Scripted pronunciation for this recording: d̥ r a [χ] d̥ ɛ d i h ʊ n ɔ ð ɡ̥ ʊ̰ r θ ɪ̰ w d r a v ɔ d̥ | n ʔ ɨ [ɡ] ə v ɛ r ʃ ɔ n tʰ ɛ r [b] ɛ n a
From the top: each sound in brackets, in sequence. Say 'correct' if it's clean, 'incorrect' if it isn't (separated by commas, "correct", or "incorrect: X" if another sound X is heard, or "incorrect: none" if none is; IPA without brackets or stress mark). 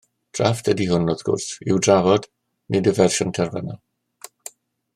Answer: incorrect: f, incorrect: d, incorrect: v